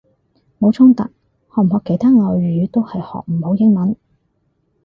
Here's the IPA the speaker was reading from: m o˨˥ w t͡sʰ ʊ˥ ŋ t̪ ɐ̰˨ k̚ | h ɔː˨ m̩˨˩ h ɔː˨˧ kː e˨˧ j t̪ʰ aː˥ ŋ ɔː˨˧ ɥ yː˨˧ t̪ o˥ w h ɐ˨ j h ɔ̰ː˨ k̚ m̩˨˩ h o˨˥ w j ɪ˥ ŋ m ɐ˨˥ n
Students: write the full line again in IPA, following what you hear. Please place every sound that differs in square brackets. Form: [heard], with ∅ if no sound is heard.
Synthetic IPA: m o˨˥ w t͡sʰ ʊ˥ ŋ t̪ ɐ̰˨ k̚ | h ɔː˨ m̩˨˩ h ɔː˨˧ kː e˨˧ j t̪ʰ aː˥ ŋ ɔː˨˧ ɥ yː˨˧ t̪ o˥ w h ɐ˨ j h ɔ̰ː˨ k̚ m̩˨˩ h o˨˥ w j ɪ˥ ŋ m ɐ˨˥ n